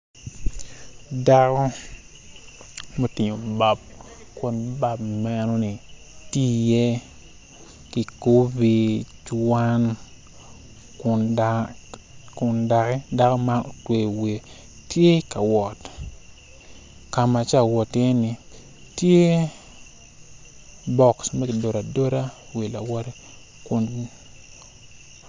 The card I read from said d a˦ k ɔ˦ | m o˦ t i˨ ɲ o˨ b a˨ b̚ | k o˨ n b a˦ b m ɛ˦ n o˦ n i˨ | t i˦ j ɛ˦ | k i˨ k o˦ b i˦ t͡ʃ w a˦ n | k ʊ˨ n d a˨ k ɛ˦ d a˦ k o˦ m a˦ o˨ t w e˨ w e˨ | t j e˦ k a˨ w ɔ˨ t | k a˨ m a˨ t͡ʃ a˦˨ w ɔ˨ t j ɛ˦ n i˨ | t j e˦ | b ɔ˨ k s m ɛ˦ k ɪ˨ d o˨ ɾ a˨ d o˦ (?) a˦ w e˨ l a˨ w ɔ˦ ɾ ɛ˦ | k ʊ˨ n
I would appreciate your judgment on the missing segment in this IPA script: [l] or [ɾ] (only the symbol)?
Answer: ɾ